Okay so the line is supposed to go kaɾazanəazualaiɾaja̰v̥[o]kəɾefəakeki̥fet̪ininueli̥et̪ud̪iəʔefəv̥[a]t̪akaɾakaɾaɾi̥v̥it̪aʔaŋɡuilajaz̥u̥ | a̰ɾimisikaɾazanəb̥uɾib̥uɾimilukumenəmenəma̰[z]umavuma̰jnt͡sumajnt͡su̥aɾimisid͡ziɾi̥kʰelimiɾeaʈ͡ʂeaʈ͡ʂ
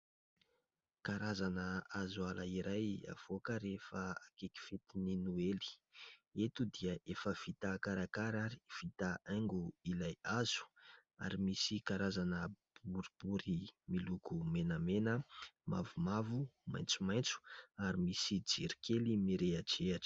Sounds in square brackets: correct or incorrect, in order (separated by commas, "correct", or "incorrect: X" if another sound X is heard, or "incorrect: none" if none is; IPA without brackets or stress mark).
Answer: correct, incorrect: i, incorrect: v